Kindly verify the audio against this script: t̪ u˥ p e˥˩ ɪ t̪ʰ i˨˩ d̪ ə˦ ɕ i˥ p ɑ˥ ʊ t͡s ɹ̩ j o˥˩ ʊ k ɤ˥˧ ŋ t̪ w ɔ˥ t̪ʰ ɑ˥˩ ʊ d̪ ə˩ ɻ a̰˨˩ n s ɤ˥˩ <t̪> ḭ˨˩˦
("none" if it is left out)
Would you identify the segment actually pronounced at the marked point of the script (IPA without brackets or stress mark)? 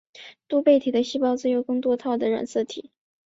t̪ʰ